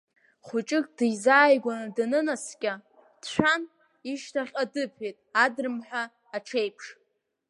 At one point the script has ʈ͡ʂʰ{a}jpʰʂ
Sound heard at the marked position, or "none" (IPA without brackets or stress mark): e